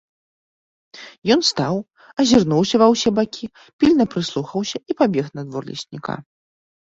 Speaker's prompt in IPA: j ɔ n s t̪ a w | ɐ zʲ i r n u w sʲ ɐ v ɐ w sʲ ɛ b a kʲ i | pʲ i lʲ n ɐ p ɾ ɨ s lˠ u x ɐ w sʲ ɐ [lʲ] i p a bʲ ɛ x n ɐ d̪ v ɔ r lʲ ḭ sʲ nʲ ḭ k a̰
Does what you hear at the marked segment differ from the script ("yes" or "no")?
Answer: yes